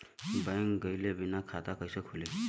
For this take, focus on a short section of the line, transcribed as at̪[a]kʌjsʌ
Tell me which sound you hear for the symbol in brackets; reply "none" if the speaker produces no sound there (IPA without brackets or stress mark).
a